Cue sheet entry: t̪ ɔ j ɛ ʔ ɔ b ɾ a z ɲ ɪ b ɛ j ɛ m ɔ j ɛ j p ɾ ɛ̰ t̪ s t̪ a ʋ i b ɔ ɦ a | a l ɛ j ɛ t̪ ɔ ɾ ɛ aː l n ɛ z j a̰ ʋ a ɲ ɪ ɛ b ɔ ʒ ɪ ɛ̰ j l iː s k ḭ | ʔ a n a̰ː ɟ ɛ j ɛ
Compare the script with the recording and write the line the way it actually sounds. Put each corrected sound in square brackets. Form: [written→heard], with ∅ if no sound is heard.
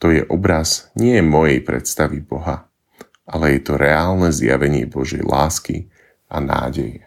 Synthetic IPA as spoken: t̪ ɔ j ɛ ʔ ɔ b ɾ a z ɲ ɪ [b→∅] ɛ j ɛ m ɔ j ɛ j p ɾ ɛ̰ t̪ s t̪ a ʋ i b ɔ ɦ a | a l ɛ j ɛ t̪ ɔ ɾ ɛ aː l n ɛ z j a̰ ʋ [a→ɛ] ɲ ɪ ɛ b ɔ ʒ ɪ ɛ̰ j l [iː→aː] s k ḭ | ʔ a n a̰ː ɟ ɛ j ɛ